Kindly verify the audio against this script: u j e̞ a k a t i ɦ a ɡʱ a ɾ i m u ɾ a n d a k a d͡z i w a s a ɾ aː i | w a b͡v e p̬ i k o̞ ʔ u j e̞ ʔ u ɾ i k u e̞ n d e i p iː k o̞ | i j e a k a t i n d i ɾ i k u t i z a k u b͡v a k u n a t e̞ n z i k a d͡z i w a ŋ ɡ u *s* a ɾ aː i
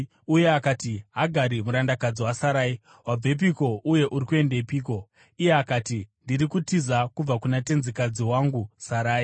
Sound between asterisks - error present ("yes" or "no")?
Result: no